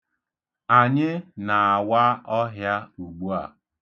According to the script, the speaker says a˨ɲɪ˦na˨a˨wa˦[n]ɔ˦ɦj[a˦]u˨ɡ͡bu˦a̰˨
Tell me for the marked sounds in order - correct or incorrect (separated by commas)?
incorrect, correct